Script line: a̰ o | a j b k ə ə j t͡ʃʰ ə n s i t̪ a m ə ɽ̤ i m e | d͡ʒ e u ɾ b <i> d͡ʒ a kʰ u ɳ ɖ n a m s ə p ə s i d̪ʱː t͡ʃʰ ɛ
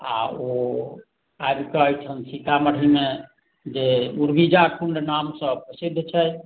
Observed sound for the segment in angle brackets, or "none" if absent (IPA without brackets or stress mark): i